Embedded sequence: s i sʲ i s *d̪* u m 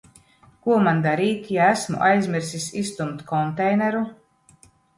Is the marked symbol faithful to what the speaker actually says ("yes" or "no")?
no